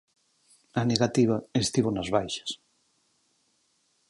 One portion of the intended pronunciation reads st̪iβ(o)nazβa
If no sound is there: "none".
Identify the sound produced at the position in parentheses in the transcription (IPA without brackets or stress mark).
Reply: o